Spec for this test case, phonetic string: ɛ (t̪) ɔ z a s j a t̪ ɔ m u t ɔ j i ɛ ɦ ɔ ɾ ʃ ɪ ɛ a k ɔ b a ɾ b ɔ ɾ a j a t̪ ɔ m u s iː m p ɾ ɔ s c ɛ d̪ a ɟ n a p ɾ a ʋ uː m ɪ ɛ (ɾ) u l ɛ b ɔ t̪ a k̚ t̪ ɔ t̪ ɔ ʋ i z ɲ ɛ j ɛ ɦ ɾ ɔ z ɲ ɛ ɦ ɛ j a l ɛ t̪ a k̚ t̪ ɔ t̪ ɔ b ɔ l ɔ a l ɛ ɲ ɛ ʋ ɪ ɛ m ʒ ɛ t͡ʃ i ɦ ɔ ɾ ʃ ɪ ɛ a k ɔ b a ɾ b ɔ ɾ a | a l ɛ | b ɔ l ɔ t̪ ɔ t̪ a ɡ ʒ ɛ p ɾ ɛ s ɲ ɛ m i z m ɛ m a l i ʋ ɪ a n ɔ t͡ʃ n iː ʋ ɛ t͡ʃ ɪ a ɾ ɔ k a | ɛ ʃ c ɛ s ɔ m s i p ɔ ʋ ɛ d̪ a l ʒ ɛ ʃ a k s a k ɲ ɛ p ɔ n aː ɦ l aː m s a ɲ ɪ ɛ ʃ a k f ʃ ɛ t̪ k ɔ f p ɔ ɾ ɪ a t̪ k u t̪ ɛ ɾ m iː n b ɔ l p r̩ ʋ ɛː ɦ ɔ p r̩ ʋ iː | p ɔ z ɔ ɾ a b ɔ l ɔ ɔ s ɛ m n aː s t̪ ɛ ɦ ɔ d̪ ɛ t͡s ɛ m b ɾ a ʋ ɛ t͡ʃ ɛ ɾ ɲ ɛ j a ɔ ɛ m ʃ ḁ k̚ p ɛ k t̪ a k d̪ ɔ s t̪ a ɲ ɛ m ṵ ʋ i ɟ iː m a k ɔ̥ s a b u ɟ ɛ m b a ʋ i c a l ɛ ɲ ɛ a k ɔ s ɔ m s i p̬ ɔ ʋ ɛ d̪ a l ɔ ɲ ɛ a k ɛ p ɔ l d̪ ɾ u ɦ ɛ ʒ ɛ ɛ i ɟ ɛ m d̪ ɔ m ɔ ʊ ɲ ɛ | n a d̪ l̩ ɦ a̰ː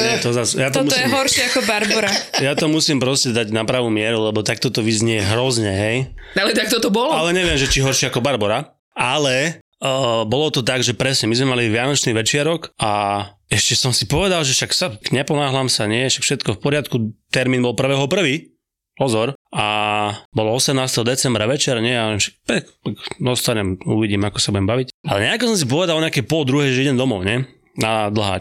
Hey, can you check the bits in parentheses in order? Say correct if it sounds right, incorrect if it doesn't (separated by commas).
correct, correct